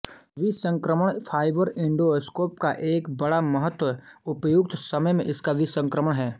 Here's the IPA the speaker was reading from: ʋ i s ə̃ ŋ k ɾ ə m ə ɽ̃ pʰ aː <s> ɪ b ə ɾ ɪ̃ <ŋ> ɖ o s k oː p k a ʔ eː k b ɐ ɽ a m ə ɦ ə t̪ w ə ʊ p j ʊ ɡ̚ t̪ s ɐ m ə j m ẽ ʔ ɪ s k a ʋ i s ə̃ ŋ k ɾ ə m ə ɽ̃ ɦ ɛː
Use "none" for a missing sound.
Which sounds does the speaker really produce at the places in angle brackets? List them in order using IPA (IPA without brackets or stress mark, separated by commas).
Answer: none, ɳ